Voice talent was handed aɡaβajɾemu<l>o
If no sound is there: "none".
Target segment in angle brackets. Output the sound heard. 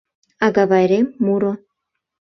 ɾ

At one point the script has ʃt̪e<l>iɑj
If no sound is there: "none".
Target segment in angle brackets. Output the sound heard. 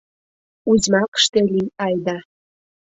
l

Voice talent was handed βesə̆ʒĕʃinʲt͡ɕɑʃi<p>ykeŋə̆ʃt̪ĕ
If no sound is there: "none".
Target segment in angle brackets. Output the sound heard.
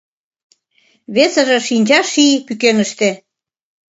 p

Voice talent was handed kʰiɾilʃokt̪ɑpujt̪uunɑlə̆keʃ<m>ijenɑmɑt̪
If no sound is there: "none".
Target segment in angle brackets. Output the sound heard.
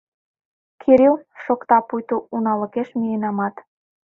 m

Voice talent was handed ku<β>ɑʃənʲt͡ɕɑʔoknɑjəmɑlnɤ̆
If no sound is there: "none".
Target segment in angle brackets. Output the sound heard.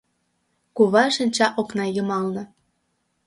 β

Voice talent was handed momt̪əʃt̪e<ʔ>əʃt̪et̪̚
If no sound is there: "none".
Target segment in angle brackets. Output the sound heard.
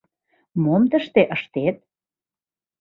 ʔ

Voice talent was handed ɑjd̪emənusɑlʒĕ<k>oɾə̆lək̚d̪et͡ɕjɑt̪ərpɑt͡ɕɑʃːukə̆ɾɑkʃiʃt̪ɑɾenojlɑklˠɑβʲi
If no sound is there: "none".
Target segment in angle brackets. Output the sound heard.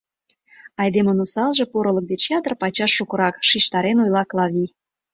p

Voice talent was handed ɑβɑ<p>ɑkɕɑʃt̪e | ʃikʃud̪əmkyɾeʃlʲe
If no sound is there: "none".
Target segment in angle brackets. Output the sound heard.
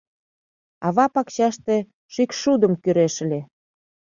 p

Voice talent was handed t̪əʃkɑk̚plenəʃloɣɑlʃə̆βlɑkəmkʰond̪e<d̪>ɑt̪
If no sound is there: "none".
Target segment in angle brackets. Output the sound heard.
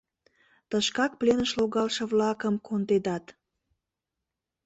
d̪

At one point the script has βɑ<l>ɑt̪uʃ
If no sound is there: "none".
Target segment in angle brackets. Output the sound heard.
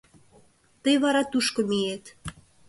ɾ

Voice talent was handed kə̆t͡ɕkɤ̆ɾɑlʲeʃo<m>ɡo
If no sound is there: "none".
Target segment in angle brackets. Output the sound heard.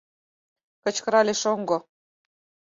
ŋ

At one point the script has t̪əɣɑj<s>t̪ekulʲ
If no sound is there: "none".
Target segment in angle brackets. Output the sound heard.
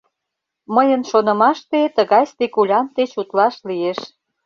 s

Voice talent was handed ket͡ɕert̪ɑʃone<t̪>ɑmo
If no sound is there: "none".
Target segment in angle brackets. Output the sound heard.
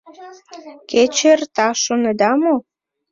d̪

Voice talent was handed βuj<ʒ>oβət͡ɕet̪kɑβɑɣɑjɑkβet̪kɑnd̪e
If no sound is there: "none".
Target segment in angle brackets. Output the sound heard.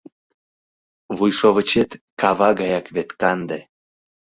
ʃ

